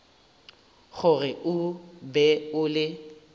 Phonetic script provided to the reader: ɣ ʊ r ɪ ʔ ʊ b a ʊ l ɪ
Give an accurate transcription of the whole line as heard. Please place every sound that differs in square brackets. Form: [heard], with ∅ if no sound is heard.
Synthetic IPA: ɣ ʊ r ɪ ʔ ʊ b [ɛ] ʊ l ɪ